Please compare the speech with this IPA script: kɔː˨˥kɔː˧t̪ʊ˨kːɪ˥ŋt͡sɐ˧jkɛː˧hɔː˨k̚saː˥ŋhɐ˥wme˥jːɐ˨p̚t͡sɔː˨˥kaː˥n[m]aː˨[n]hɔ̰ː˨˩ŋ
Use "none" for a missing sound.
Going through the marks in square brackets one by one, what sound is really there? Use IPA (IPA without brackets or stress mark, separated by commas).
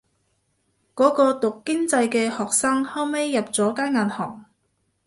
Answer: ŋ, n